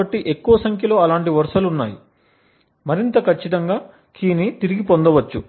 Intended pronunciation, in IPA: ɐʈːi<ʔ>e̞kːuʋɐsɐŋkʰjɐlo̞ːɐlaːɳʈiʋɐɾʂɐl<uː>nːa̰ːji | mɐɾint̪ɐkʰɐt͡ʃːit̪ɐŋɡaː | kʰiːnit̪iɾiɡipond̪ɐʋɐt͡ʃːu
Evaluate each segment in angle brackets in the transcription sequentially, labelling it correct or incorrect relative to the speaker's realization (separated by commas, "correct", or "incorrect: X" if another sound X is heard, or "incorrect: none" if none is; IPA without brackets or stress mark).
correct, incorrect: u